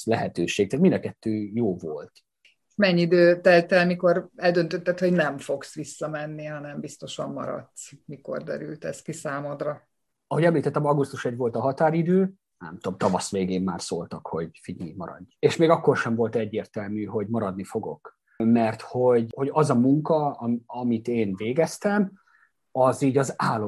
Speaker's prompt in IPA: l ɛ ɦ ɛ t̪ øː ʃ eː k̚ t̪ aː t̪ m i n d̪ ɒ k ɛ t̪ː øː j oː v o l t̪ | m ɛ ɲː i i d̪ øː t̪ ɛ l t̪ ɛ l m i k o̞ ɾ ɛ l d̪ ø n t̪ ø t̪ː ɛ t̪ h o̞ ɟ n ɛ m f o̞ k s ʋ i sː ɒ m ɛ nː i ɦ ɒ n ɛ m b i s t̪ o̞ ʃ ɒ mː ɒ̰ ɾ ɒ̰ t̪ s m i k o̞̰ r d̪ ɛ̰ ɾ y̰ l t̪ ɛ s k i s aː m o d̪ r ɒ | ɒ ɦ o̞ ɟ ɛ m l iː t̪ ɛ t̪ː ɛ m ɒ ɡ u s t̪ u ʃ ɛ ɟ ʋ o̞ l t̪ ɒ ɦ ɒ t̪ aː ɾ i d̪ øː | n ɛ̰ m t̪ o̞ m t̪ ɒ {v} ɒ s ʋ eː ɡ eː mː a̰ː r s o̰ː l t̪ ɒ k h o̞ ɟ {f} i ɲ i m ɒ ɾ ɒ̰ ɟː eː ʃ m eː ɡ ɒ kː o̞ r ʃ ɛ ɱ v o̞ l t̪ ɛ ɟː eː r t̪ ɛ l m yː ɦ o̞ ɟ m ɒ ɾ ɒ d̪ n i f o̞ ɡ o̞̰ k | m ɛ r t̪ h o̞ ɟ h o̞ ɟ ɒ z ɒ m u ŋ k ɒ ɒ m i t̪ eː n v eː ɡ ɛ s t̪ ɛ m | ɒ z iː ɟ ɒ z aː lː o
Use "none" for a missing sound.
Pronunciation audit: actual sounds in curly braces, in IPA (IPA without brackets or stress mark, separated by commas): v, f